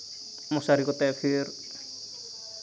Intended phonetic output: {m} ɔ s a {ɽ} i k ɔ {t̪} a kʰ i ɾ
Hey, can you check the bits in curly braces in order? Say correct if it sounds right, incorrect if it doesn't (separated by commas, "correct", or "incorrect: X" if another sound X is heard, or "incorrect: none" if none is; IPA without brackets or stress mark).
correct, incorrect: ɾ, correct